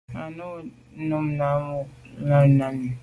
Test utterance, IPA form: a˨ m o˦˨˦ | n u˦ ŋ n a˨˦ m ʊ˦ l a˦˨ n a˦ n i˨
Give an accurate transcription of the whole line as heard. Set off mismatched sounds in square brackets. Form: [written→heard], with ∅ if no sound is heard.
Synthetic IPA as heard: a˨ [m→n] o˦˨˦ | n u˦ [ŋ→m] n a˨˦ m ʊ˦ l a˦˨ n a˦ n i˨